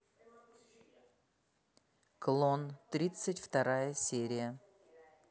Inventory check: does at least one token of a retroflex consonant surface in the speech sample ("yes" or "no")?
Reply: no